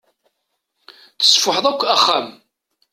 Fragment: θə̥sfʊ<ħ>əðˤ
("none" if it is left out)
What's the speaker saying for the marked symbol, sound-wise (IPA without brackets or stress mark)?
ħ